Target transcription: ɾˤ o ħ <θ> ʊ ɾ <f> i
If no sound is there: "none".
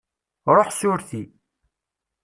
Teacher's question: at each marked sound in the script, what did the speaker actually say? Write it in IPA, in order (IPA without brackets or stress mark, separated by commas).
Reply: s, θ